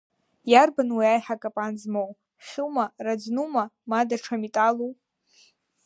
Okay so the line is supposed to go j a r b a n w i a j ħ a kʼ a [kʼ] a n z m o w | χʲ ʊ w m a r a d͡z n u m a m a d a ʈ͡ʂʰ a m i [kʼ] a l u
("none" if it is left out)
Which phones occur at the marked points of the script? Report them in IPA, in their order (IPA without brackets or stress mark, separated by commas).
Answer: pʼ, tʼ